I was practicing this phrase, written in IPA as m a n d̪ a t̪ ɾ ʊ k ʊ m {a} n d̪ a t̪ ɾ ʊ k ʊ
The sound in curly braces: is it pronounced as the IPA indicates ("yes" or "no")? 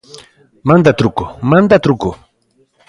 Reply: yes